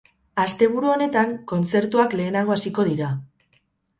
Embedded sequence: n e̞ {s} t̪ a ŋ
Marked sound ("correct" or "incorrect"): incorrect